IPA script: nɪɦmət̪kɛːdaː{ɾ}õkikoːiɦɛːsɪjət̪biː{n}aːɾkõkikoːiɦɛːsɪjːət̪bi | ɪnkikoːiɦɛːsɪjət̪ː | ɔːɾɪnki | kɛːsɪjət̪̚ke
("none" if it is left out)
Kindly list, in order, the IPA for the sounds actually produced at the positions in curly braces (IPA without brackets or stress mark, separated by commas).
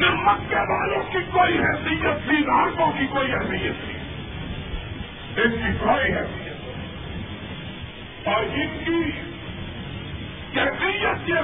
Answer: l, n